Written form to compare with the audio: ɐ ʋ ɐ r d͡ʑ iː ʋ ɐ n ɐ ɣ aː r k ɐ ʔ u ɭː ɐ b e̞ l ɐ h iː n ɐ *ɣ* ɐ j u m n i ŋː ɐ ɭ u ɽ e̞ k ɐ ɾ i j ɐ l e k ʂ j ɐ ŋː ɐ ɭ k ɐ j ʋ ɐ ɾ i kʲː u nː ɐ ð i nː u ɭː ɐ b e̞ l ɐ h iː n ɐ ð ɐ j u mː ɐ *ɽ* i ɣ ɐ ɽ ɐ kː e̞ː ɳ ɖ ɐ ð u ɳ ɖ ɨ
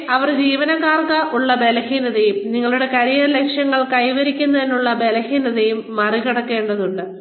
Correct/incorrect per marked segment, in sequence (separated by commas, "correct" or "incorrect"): incorrect, incorrect